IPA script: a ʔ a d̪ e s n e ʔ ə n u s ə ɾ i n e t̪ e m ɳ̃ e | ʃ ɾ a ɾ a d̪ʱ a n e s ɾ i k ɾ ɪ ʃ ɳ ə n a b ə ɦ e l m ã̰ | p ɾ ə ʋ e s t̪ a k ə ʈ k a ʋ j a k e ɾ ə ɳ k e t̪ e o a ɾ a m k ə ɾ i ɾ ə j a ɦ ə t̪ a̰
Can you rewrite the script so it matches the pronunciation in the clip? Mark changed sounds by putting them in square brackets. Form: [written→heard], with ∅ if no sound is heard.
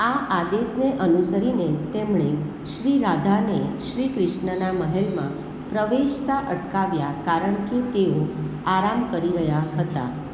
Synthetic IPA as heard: a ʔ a d̪ e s n e ʔ ə n u s ə ɾ i n e t̪ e m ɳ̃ e | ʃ ɾ [a→i] ɾ a d̪ʱ a n e [s→ʃ] ɾ i k ɾ ɪ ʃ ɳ ə n a [b→m] ə ɦ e l m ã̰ | p ɾ ə ʋ e [s→ʃ] t̪ a [k→ʔ] ə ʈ k a ʋ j a k [e→a] ɾ ə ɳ k e t̪ e o a ɾ a m k ə ɾ i ɾ ə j a ɦ ə t̪ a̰